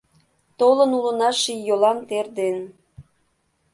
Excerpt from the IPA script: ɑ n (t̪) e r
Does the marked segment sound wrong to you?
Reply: no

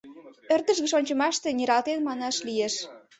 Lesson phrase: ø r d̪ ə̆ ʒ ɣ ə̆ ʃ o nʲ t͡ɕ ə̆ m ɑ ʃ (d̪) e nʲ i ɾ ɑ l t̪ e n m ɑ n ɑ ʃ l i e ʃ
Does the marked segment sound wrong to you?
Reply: yes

